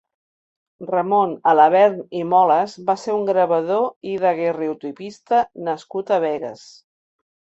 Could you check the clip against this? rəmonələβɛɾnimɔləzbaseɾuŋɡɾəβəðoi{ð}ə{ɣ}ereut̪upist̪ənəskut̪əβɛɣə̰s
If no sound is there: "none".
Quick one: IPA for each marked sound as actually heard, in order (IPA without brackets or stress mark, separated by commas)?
ð, ɣ